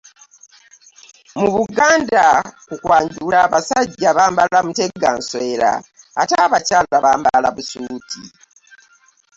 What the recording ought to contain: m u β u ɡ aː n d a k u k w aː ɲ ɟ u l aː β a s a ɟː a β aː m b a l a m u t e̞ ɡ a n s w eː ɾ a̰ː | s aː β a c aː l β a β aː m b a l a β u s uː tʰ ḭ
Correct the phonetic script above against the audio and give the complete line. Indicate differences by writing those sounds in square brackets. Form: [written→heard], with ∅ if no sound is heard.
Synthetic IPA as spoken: m u β u ɡ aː n d a k u k w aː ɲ ɟ u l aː β a s a ɟː a β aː m b a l a m u t e̞ ɡ a n s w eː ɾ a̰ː | [s→t] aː β a c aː l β a β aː m b a l a β u s uː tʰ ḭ

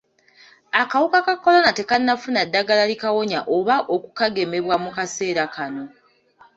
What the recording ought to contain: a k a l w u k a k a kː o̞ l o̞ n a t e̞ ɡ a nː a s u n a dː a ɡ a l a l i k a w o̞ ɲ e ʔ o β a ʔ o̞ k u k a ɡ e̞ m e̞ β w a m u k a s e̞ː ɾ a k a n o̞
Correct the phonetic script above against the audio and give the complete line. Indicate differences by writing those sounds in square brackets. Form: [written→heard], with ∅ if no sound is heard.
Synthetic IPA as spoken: a k a [l→∅] w u k a k a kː o̞ l o̞ n a t e̞ [ɡ→k] a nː a [s→f] u n a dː a ɡ a l a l i k a w o̞ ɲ [e→a] ʔ o β a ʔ o̞ k u k a ɡ e̞ m e̞ β w a m u k a s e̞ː ɾ a k a n o̞

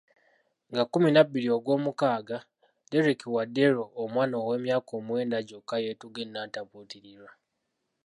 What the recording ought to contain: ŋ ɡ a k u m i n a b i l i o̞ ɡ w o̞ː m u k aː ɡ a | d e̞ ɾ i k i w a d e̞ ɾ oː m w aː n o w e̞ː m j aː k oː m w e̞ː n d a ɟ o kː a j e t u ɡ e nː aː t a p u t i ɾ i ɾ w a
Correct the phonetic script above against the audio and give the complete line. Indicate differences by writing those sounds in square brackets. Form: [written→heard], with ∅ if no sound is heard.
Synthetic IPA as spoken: ŋ ɡ a k u m i n a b i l i o̞ ɡ w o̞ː m u k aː ɡ a | d e̞ ɾ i k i w a d e̞ ɾ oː m w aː n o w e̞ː m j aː k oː m w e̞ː n d a ɟ o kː a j e t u ɡ e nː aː t a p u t i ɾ i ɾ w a

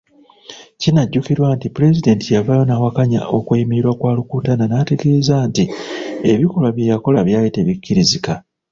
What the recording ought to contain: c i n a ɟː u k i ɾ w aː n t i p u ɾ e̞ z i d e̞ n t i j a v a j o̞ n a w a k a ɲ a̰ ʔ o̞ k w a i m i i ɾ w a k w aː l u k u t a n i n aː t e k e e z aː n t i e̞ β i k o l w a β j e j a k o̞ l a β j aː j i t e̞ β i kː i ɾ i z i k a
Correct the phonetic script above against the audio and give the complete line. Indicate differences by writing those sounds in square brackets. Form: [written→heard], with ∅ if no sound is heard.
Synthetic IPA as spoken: c i n a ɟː u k i ɾ w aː n t i p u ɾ e̞ z i d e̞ n t i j a v a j o̞ n a w a k a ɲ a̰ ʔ o̞ k w [a→e] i m i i ɾ w a k w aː l u k u t a n [i→a] n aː t e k e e z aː n t i e̞ β i k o l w a β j e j a k o̞ l a β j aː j i t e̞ β i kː i ɾ i z i k a

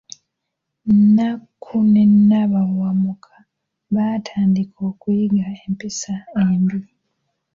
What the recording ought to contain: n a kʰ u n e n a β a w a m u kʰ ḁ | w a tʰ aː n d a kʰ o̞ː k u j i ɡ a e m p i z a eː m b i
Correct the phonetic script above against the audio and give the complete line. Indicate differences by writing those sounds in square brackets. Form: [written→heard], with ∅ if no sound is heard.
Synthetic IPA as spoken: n a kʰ u n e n a β a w a m u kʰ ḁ | [w→β] a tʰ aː n d [a→i] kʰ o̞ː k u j i ɡ a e m p i [z→s] a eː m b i

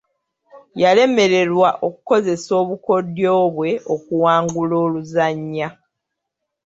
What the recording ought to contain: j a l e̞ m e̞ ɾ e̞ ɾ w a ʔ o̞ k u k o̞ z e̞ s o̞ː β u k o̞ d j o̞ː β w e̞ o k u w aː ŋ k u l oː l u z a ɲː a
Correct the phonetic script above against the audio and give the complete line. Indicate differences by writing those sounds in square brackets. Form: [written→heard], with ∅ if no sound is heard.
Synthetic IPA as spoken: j a l e̞ m e̞ ɾ e̞ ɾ w a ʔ o̞ k u k o̞ z e̞ s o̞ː β u k o̞ d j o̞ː β w e̞ o k u w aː ŋ [k→ɡ] u l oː l u z a ɲː a

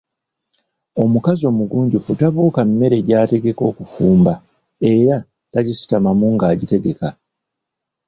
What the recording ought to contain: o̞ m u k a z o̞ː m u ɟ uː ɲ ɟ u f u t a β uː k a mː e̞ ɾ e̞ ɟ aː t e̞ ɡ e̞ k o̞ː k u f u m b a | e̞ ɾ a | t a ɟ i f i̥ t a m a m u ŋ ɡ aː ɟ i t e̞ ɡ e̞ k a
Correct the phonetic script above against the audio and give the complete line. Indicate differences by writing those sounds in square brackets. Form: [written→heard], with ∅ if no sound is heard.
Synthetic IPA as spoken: o̞ m u k a z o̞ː m u [ɟ→ɡ] uː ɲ ɟ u f u t a β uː k a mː e̞ ɾ e̞ ɟ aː t e̞ ɡ e̞ k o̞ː k u f [u→uː] m b a | e̞ ɾ a | t a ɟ i [f→s] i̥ t a m a m u ŋ ɡ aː ɟ i t e̞ ɡ e̞ k a

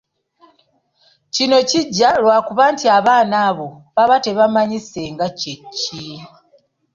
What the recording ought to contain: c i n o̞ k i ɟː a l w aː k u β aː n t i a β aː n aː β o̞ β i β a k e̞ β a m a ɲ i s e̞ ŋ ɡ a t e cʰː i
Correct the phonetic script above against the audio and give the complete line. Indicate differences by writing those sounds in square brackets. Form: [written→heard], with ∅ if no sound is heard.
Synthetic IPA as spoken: c i n o̞ [k→c] i ɟː a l w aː k u β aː n t i a β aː n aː β o̞ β [i→a] β a [k→t] e̞ β a m a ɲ i s e̞ ŋ ɡ a [t→c] e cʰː i

